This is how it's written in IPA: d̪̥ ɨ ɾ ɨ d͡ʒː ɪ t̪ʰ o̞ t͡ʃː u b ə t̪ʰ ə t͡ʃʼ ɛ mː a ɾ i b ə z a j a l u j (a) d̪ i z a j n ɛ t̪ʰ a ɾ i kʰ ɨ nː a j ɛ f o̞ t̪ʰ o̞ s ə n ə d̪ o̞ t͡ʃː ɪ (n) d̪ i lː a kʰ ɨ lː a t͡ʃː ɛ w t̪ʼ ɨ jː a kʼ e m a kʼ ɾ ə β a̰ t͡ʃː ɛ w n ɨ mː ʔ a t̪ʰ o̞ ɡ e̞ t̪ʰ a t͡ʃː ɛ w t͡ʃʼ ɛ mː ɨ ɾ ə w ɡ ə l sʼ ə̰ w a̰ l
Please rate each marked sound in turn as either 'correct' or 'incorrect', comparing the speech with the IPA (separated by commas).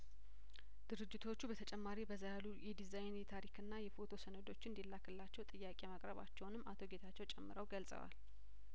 incorrect, correct